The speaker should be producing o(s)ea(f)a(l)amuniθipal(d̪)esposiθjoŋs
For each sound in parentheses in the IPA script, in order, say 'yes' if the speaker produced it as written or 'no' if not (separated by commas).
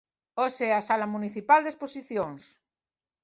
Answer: yes, no, yes, yes